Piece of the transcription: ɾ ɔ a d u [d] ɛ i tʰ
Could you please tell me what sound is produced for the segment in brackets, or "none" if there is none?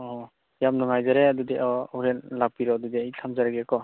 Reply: d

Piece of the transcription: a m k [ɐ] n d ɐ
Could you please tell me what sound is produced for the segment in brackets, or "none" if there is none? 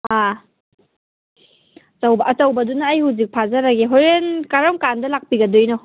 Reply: a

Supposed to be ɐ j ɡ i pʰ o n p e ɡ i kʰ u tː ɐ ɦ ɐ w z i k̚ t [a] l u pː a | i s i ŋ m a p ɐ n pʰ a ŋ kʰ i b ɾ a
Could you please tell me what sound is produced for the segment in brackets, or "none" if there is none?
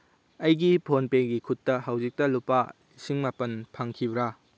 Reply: ɐ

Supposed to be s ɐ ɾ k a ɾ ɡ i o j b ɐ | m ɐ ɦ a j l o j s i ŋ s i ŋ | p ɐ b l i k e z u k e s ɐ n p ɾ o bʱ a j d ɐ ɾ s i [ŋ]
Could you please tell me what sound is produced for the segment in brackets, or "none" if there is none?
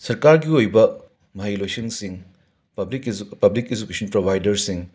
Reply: ŋ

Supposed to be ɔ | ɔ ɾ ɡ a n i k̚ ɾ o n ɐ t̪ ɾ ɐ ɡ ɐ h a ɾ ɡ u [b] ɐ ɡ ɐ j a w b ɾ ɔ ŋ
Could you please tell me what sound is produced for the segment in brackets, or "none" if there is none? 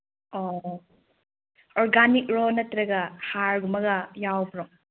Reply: m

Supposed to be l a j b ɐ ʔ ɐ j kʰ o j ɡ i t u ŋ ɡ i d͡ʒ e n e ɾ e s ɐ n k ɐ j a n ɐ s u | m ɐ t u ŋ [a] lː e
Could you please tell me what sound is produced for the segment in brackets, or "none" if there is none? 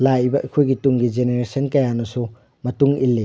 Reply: i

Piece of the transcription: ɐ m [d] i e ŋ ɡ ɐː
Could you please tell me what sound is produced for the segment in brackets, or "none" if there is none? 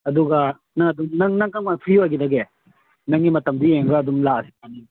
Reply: d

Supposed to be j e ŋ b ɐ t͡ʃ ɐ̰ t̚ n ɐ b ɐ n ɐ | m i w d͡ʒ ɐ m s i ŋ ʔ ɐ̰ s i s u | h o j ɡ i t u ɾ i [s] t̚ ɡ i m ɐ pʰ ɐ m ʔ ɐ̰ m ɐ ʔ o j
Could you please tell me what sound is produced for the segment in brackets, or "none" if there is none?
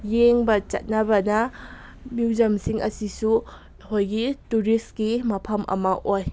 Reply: s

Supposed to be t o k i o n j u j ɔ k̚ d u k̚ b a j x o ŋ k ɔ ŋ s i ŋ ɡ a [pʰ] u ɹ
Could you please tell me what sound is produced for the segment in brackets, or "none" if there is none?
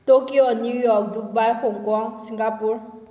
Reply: p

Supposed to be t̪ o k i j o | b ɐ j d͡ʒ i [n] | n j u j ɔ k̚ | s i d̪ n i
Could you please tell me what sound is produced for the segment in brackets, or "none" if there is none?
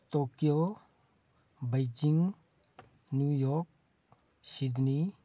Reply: ŋ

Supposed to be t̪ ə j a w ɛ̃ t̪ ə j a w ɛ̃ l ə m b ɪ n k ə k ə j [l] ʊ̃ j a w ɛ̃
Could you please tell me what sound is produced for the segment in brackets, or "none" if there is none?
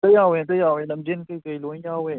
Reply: l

